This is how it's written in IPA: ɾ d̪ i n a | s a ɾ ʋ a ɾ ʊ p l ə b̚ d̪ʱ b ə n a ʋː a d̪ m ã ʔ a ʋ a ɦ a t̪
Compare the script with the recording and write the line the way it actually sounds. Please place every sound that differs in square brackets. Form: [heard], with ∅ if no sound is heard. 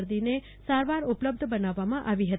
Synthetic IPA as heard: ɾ d̪ i n [e] | s a ɾ ʋ a ɾ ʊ p l ə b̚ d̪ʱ b ə n a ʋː a [∅] m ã ʔ a ʋ [i] ɦ [ə] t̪

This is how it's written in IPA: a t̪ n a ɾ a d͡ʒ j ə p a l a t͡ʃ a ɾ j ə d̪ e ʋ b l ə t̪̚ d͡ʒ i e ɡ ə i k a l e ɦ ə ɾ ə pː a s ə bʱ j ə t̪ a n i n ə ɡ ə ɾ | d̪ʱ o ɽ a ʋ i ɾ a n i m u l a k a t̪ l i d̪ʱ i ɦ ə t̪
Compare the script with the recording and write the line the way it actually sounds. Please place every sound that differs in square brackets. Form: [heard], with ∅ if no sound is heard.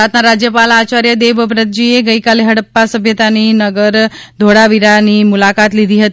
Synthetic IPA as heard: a t̪ n a ɾ a d͡ʒ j ə p a l a t͡ʃ a ɾ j ə d̪ e ʋ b [ɾ] ə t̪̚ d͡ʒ i e ɡ ə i k a l e ɦ ə [ɽ] ə pː a s ə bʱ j ə t̪ a n i n ə ɡ ə ɾ | d̪ʱ o ɽ a ʋ i ɾ a n i m u l a k a t̪ l i d̪ʱ i ɦ ə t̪

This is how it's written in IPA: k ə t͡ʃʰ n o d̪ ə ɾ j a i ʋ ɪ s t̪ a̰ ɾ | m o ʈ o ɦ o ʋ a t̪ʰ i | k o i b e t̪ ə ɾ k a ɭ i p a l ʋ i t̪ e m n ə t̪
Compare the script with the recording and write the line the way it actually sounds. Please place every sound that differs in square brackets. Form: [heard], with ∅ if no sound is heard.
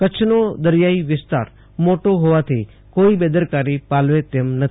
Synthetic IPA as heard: k ə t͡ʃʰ n o d̪ ə ɾ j a i ʋ ɪ s t̪ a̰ ɾ | m o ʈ o ɦ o ʋ a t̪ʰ i | k o i b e [d̪] ə ɾ k a [ɾ] i p a l ʋ [e] t̪ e m n ə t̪

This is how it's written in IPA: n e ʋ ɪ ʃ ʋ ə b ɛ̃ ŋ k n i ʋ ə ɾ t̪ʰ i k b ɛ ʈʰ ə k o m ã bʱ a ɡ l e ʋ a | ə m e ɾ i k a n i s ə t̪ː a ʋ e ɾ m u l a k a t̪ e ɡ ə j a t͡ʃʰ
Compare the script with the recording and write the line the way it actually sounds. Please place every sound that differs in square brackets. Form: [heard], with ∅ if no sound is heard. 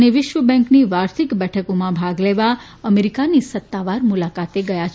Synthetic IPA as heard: n e ʋ ɪ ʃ ʋ ə b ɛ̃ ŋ k n i ʋ [a] ɾ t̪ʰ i k b ɛ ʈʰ ə k o m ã bʱ a ɡ l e ʋ a | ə m e ɾ i k a n i s ə t̪ː a ʋ [a] ɾ m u l a k a t̪ e ɡ ə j a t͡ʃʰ

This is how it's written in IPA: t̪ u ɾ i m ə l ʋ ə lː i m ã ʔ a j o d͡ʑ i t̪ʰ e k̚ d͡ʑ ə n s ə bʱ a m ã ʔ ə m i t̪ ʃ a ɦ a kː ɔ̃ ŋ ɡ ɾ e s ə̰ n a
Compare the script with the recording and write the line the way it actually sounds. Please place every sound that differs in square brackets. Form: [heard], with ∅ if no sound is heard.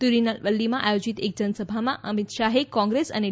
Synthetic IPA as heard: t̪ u ɾ i [n] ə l ʋ ə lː i m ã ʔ a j o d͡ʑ i [t̪] e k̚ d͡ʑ ə n s ə bʱ a m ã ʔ ə m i t̪ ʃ a ɦ [e] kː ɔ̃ ŋ ɡ ɾ e s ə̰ n [e]

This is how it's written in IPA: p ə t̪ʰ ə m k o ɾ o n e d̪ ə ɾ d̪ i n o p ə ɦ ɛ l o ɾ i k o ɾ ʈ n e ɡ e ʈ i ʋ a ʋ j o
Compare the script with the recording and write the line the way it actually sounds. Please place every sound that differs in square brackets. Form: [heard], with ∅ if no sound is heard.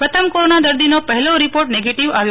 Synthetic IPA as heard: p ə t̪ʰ ə m k o ɾ o n [a] d̪ ə ɾ d̪ i n o p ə ɦ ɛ l o ɾ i [p] o ɾ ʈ n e ɡ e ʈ i ʋ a ʋ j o

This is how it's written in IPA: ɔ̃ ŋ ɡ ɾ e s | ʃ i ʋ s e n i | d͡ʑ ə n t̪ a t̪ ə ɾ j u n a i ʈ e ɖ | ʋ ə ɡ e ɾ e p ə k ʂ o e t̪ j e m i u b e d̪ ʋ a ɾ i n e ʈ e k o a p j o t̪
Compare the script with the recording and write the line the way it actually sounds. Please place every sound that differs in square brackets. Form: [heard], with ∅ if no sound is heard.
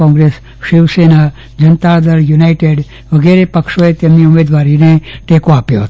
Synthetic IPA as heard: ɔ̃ ŋ ɡ ɾ e s | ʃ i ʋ s e n [a] | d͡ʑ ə n t̪ a [d̪] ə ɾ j u n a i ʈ e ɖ | ʋ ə ɡ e ɾ e p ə k ʂ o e t̪ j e m i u [m] e d̪ ʋ a ɾ i n e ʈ e k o a p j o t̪

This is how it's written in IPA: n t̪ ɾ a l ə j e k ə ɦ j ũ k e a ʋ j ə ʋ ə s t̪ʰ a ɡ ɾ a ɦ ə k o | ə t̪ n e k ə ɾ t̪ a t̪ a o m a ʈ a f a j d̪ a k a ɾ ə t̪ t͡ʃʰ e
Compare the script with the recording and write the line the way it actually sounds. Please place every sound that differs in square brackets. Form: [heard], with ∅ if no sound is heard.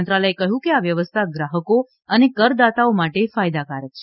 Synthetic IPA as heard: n t̪ ɾ a l ə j e k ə ɦ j ũ k e a ʋ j ə ʋ ə s t̪ʰ a ɡ ɾ a ɦ ə k o | ə [∅] n e k ə ɾ [d̪] a t̪ a o m a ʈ [e] f a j d̪ a k a ɾ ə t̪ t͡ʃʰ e

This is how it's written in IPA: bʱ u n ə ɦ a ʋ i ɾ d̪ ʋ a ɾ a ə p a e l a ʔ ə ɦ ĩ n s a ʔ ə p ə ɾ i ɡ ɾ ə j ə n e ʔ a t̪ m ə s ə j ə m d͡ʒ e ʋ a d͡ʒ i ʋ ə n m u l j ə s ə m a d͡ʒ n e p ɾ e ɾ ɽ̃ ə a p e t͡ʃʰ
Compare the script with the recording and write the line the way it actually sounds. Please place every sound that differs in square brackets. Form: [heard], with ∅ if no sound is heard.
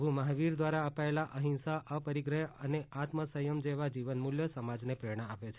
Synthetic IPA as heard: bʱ u [m] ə ɦ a ʋ i ɾ d̪ ʋ a ɾ a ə p a e l a ʔ ə ɦ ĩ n s a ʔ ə p ə ɾ i ɡ ɾ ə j ə n e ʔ a t̪ m ə s ə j ə m d͡ʒ e ʋ a d͡ʒ i ʋ ə n m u l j ə s ə m a d͡ʒ n e p ɾ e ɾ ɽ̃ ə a p e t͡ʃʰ

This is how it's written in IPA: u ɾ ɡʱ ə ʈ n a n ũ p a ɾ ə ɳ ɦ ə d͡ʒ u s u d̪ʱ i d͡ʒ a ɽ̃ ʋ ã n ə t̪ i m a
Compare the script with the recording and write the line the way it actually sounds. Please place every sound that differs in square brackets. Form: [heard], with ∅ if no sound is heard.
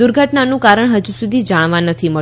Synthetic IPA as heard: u ɾ ɡʱ ə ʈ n a n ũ [k] a ɾ ə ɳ ɦ ə d͡ʒ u s u d̪ʱ i d͡ʒ a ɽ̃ ʋ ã n ə [t̪ʰ] i m [ə]

